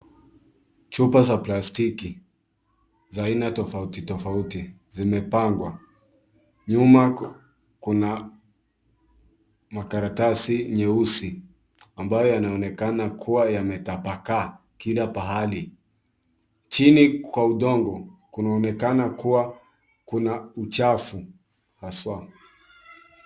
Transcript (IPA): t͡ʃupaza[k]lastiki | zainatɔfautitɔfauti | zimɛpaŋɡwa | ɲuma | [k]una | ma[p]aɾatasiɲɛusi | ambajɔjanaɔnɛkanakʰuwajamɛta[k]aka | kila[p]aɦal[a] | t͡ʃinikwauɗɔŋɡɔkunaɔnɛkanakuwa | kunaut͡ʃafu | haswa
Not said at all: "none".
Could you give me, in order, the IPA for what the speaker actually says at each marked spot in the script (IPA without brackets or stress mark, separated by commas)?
p, k, k, p, p, i